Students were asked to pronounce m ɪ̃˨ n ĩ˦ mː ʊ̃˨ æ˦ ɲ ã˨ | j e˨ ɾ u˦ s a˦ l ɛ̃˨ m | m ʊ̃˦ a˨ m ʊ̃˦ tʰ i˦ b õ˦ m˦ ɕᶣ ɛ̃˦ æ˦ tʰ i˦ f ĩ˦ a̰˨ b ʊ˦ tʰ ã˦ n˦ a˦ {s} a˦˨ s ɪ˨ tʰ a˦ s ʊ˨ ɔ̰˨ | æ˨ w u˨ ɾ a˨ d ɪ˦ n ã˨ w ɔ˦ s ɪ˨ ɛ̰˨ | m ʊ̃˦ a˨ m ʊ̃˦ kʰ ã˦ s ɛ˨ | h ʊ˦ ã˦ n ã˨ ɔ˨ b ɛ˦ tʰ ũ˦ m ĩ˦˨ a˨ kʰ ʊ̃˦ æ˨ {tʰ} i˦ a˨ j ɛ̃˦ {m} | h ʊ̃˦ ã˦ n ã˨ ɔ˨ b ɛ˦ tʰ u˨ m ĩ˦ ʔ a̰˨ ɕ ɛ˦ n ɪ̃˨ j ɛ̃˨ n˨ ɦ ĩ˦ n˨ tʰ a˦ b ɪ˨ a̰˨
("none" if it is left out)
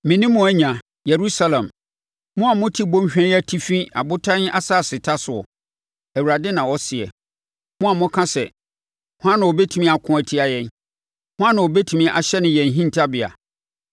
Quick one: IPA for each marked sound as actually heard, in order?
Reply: s, tʰ, n

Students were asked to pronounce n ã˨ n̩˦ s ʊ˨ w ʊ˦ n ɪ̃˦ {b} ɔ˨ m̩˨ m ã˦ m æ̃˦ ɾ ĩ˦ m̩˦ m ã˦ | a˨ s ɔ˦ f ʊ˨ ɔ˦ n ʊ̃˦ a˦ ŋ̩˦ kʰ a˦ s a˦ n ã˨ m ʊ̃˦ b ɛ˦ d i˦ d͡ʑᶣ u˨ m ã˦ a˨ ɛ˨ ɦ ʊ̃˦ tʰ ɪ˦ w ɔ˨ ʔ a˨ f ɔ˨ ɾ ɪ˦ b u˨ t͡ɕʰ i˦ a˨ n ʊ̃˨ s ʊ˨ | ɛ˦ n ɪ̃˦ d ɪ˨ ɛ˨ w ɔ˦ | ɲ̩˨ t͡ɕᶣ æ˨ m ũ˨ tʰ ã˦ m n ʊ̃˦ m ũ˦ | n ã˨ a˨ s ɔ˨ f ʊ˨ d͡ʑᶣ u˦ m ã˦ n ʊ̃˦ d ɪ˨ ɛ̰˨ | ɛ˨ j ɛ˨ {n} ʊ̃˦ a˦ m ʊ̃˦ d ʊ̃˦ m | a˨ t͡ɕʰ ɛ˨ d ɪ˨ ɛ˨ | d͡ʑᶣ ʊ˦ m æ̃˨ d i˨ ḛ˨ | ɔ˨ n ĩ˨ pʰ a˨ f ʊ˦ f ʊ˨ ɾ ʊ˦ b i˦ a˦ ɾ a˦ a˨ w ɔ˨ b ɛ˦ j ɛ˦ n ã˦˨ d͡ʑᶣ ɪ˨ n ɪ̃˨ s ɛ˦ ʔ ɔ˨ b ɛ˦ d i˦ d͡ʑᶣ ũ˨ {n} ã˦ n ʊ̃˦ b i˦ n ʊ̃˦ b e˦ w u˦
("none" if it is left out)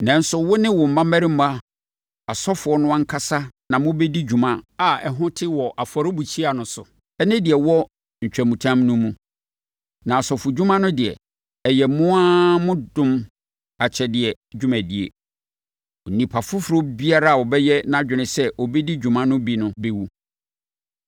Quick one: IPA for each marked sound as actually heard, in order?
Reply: w, m, m

